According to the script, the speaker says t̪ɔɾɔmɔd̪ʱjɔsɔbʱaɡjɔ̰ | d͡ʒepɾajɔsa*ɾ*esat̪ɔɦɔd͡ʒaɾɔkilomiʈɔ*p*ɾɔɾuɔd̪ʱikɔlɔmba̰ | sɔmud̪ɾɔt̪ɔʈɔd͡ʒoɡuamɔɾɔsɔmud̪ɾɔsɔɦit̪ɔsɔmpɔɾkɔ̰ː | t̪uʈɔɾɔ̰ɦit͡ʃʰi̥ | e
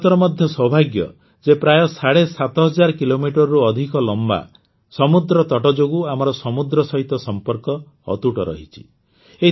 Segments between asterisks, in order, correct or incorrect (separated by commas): incorrect, incorrect